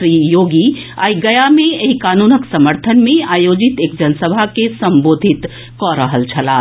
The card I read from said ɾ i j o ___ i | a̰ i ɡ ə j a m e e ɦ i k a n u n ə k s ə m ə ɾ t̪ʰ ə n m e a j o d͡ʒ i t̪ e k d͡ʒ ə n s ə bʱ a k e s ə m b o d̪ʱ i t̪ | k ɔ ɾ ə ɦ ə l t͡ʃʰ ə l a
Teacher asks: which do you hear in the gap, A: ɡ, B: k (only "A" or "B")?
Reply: A